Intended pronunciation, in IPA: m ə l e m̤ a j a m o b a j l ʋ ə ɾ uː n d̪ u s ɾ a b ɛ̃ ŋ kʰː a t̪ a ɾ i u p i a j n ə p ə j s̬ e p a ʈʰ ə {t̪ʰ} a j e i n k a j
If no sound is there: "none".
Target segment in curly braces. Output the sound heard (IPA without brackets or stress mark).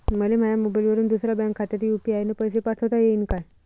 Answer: t̪